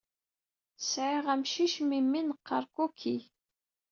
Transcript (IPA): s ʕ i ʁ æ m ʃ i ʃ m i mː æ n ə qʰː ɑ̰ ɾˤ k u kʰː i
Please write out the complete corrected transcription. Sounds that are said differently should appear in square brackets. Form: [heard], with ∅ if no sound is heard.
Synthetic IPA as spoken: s ʕ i ʁ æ m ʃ i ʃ m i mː [i] n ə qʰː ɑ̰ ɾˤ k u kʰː i

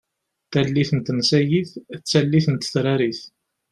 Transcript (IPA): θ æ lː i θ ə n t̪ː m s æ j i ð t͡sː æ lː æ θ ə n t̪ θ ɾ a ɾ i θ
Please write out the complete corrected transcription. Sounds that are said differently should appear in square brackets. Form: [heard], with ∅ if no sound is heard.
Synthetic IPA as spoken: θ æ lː i θ ə n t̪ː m s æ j i [θ] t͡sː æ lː [i] θ ə n t̪ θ ɾ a ɾ i θ

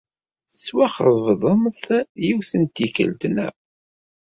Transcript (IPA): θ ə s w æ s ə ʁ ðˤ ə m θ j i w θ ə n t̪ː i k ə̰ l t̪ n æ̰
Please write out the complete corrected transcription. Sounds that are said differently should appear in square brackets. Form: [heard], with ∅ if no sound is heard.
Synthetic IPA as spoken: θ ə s w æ [χ] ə [v] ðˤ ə m θ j i w θ ə n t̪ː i k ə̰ l t̪ n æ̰

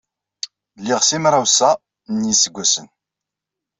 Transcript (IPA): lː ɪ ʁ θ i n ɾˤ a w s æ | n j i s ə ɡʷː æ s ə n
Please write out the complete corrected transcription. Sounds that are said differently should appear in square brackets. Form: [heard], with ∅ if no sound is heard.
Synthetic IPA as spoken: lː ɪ ʁ [s] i [m] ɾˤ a w s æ | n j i s ə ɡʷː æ s ə n

